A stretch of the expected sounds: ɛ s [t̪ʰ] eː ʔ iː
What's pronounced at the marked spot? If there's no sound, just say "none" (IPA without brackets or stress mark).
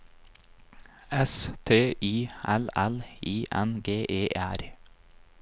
t̪ʰ